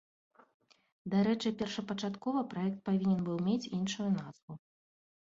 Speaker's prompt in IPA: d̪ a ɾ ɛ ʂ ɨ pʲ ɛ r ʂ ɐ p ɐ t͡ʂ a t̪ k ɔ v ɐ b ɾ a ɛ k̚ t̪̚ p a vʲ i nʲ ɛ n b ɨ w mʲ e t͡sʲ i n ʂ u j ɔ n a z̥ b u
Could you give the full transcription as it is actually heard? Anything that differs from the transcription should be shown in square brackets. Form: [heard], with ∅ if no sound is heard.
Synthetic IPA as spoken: d̪ a ɾ ɛ [t͡ʂ] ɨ pʲ ɛ r ʂ ɐ p ɐ t͡ʂ a t̪ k ɔ v ɐ [p] ɾ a ɛ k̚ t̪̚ p a vʲ i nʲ ɛ n b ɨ w mʲ e t͡sʲ i n ʂ u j [u] n a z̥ [v] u